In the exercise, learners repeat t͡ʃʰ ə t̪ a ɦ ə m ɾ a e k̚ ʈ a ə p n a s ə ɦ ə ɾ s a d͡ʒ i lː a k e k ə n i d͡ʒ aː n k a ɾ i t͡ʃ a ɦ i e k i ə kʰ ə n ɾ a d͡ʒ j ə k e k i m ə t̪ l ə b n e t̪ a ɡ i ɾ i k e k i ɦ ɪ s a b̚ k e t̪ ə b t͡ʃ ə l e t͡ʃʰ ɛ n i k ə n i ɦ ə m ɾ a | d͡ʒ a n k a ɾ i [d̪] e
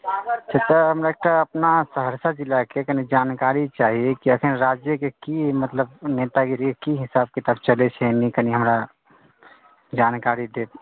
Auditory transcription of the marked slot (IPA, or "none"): d̪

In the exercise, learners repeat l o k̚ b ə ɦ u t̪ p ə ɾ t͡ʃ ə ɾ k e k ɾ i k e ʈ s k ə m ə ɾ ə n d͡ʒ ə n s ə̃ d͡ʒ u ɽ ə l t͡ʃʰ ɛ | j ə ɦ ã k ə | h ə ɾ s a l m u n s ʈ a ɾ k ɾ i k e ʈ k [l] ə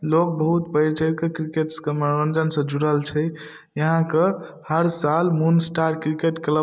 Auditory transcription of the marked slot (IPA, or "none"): l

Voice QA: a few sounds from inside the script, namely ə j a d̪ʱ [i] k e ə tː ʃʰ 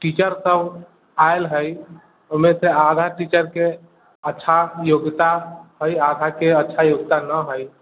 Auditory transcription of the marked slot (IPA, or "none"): a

